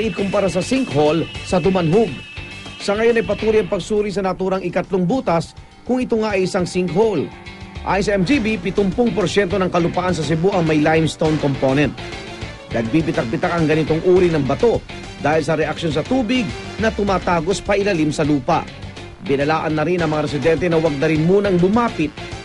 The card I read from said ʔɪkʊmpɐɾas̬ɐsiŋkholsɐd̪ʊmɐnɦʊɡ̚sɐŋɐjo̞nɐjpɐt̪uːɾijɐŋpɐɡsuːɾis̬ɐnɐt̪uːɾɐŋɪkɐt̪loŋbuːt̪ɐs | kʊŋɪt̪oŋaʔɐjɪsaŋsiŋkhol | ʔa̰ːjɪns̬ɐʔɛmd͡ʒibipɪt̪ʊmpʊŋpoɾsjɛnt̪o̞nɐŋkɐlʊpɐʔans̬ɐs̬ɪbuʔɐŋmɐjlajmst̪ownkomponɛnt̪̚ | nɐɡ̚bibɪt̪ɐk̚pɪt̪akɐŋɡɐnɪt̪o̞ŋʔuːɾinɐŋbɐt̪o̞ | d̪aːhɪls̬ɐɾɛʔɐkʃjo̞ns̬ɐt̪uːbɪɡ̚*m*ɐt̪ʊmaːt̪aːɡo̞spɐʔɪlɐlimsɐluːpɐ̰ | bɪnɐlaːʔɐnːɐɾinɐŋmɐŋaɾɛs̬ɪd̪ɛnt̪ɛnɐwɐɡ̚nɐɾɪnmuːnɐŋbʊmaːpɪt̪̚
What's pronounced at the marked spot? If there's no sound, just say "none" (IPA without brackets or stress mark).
n